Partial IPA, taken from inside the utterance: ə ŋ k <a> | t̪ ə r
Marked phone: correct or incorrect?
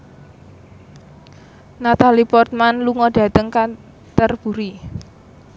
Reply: correct